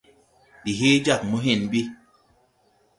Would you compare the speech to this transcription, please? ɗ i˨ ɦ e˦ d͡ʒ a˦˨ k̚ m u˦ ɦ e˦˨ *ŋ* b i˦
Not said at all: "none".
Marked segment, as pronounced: n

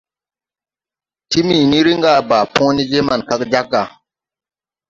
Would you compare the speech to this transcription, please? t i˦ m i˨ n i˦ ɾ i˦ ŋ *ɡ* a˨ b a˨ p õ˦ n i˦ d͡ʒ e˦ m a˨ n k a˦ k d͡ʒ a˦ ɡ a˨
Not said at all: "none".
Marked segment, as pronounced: ɡ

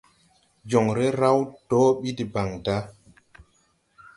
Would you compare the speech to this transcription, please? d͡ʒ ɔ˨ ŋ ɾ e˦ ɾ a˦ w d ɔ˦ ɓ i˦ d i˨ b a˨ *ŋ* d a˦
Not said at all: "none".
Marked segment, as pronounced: ŋ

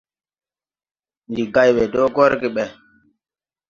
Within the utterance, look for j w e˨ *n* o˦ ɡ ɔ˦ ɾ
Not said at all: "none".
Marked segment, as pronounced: d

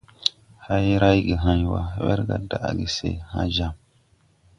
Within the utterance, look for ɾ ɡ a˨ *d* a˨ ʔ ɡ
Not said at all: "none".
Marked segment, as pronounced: d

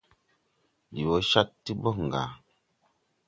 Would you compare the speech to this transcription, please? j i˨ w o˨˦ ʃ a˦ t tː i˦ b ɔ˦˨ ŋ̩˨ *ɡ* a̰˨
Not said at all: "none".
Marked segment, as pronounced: ɡ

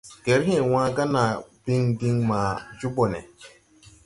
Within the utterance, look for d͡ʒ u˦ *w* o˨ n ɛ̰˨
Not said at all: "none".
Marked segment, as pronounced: b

